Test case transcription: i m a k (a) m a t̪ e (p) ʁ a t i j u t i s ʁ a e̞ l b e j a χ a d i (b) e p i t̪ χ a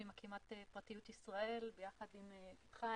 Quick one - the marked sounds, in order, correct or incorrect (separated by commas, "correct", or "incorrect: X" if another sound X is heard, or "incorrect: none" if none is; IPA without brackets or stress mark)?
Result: incorrect: i, correct, incorrect: m